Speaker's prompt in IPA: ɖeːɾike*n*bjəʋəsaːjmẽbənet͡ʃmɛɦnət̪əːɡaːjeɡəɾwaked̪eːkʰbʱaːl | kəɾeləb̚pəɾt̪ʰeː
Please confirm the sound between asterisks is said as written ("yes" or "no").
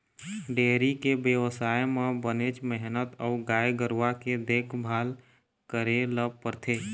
no